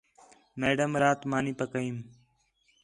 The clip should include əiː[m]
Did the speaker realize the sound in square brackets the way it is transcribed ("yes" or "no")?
yes